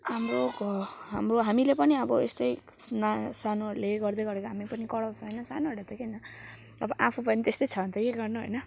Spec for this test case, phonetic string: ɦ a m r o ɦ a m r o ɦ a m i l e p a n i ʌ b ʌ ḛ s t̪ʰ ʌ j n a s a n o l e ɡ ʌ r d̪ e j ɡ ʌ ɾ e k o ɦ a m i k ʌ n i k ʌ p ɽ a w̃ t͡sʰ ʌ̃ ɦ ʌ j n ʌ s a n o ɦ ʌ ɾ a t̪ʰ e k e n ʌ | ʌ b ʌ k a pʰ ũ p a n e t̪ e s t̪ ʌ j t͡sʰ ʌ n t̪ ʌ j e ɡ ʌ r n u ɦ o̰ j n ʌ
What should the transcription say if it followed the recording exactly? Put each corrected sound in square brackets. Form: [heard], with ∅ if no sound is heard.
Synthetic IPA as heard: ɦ a m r o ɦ a m r o ɦ a m i l e p [ʌ] n i ʌ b ʌ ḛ s [t̪] ʌ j n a s a n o l e ɡ ʌ r d̪ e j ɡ ʌ ɾ e k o ɦ a m i [p] ʌ n i k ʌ [∅] ɽ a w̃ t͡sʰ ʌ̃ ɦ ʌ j n ʌ s a n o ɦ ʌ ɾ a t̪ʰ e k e n ʌ | ʌ b ʌ [ʔ] a pʰ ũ p [ʌ] n [i] t̪ e s t̪ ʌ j t͡sʰ ʌ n t̪ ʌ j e ɡ ʌ r n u ɦ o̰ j n ʌ